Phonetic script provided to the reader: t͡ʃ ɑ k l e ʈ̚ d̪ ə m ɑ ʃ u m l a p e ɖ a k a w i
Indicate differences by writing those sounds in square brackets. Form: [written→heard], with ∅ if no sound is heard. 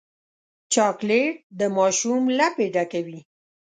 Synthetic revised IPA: t͡ʃ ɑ k l e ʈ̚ d̪ ə m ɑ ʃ u m l a p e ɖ a k a w i